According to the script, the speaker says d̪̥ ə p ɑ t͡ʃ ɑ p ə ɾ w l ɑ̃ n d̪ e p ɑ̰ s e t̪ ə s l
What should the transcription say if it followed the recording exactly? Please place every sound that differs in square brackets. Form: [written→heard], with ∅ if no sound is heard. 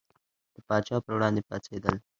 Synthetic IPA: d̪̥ ə p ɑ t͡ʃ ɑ p ə ɾ w [l→ɽ] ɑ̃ n d̪ e p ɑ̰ s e [t̪→d̪] ə [s→∅] l